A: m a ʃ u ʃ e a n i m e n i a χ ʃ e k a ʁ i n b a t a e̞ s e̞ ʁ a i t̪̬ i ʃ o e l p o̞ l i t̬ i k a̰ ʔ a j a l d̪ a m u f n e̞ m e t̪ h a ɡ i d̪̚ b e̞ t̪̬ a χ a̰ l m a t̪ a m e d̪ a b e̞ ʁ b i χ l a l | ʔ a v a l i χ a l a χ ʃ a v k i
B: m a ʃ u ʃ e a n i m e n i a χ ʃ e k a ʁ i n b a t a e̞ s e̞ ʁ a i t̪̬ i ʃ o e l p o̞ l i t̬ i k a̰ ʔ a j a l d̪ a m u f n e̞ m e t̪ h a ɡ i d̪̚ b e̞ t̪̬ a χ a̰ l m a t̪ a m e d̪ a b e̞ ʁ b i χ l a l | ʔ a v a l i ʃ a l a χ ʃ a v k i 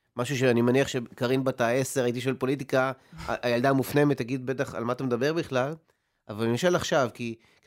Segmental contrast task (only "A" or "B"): B